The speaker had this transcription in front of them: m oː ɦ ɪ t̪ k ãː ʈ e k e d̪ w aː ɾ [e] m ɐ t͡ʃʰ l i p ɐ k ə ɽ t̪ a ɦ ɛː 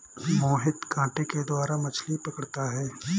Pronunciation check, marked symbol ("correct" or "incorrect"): incorrect